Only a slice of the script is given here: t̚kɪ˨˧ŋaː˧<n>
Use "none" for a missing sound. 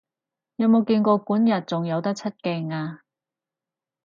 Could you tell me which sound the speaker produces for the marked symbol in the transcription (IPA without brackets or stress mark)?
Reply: none